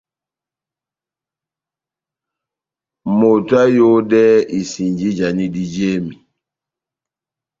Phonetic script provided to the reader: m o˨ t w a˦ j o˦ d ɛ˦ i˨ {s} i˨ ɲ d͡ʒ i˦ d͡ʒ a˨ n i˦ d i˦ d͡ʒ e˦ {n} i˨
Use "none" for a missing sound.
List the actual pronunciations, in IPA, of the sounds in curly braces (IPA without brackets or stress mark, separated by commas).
s, m